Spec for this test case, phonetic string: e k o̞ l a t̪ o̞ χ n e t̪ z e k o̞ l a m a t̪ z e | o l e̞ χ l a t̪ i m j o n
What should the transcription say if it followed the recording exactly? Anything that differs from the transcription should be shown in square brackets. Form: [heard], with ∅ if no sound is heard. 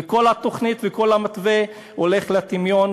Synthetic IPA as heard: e k o̞ l a t̪ o̞ χ n [i] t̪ [v] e k o̞ l a m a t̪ [v] e | o l e̞ χ l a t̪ i m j o n